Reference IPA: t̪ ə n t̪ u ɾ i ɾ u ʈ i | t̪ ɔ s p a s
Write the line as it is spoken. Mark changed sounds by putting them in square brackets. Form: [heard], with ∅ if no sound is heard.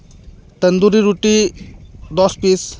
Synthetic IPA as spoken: t̪ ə n [d̪] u ɾ i ɾ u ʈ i | [d̪] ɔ s p [i] s